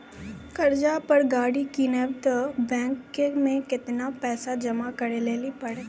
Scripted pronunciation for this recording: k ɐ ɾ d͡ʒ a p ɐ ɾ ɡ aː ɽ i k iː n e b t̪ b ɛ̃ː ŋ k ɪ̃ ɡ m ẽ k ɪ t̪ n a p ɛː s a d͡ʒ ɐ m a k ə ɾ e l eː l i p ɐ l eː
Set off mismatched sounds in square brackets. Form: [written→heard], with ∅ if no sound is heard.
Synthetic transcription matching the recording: k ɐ ɾ d͡ʒ a p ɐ ɾ ɡ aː ɽ i k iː n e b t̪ b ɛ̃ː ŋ k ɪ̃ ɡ m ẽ k ɪ t̪ n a p ɛː s a d͡ʒ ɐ m a k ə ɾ e l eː l i p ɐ [l→ɽ] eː